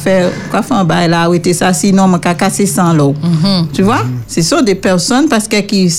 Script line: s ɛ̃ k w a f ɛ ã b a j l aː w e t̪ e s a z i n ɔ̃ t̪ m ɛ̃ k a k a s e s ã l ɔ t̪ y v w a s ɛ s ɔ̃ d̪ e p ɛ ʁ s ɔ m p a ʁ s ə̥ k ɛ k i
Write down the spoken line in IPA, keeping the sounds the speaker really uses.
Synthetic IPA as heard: f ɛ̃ k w a f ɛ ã b a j l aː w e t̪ e s a s i n ɔ̃ m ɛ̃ k a k a s e s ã l ɔ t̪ y v w a s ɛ s ɔ̃ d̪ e p ɛ ʁ s ɔ n p a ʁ s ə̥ k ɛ k i